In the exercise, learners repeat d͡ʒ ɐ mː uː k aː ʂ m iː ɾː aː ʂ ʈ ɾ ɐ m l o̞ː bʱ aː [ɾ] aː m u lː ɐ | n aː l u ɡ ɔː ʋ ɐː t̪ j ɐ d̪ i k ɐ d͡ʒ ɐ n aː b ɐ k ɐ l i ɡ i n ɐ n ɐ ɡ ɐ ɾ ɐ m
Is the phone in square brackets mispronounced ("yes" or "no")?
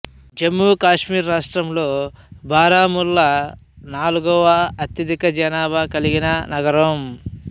no